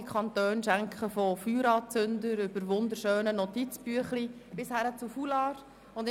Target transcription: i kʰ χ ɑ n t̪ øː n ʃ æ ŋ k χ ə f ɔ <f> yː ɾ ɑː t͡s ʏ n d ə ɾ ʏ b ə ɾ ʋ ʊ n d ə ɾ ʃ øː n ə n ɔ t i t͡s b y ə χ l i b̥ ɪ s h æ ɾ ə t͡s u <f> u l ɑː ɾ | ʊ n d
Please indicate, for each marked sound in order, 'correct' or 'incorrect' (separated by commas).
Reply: correct, correct